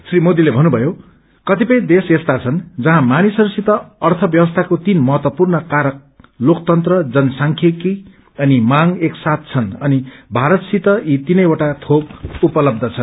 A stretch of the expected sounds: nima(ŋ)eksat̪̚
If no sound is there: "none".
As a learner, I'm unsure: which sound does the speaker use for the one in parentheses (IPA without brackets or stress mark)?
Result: ŋ